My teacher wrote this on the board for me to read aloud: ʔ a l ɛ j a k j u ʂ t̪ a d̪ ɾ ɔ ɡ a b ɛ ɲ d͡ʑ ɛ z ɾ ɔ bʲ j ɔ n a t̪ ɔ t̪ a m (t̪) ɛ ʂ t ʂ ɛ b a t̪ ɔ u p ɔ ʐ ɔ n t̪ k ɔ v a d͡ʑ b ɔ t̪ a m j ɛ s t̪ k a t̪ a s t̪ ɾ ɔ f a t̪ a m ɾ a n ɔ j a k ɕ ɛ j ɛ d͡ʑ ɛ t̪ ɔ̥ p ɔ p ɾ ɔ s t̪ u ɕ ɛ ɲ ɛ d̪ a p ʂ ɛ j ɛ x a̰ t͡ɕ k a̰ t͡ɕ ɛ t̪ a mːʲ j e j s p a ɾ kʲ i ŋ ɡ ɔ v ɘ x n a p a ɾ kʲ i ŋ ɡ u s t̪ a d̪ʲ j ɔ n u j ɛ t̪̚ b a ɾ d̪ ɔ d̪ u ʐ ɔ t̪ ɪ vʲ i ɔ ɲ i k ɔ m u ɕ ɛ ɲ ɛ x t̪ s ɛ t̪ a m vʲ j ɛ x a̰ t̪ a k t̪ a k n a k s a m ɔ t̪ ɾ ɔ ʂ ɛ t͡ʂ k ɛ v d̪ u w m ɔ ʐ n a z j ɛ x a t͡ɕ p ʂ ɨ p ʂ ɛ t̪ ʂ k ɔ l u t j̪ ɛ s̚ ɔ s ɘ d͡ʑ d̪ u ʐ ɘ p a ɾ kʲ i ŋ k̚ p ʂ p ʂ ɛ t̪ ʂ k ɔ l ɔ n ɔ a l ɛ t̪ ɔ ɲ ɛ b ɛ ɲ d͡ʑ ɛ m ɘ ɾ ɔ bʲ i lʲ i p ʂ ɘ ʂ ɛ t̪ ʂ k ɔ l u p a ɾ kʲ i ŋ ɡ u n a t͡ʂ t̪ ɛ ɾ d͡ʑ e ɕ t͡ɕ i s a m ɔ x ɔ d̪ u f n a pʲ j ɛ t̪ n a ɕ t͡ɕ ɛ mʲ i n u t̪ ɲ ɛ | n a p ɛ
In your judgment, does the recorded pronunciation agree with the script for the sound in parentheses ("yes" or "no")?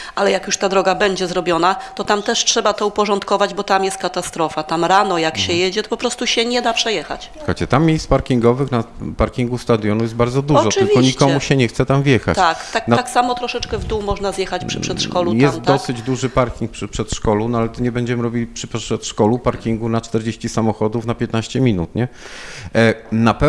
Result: yes